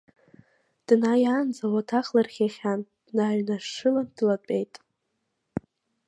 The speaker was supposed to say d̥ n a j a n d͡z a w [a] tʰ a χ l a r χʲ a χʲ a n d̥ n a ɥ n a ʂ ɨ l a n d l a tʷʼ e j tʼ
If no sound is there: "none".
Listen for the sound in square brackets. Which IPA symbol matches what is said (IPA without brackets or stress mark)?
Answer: a